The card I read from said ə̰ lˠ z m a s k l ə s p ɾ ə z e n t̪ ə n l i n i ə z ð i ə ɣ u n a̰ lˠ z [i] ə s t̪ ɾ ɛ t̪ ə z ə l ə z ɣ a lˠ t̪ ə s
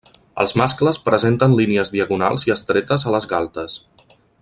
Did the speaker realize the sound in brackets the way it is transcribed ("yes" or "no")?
yes